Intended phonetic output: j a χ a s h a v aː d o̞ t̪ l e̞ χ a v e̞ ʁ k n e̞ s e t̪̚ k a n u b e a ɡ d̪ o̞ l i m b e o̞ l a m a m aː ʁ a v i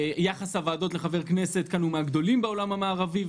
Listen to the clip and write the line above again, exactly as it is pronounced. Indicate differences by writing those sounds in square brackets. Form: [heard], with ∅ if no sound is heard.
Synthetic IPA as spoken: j a χ a s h a v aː d o̞ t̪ l e̞ χ a v e̞ ʁ k n e̞ s e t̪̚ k a n u [m] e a ɡ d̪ o̞ l i m b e o̞ l a m a m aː ʁ a v i